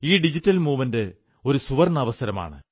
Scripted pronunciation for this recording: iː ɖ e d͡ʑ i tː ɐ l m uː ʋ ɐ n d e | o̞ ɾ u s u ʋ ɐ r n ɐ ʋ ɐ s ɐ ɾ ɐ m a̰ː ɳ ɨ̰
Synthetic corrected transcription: iː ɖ i d͡ʑ i tː ɐ l m uː ʋ ɐ n d e | o̞ ɾ u s u ʋ ɐ r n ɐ ʋ ɐ s ɐ ɾ ɐ m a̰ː ɳ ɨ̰